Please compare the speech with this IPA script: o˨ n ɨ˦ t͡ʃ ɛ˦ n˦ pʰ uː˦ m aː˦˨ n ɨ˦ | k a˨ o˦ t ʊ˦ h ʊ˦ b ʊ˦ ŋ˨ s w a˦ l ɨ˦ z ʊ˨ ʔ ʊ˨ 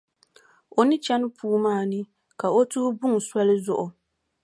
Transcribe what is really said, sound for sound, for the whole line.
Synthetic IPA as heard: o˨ n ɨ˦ t͡ʃ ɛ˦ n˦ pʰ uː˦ m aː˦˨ n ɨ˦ | k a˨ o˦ t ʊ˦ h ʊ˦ b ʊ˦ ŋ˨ s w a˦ l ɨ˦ z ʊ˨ ʔ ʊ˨